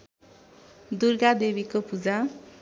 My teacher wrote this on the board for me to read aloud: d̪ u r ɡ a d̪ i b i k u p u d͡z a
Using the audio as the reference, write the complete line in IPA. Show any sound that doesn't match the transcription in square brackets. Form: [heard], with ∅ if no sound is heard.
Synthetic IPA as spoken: d̪ u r ɡ a d̪ [e] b i k [o] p u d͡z a